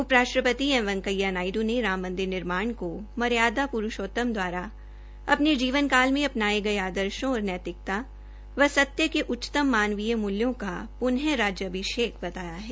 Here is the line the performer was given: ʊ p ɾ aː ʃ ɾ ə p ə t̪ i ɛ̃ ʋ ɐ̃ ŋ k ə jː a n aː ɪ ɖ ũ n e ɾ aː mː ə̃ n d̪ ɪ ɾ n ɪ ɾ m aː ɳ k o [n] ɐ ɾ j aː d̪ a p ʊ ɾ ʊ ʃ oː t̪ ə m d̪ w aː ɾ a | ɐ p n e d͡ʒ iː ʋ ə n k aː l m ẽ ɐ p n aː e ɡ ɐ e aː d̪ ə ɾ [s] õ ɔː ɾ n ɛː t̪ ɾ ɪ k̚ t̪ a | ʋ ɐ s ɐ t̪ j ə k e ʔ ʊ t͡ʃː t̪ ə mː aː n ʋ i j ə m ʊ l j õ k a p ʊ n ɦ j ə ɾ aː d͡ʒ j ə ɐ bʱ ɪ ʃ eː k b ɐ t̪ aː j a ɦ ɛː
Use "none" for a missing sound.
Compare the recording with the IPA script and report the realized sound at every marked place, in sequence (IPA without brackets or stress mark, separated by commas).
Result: m, ʃ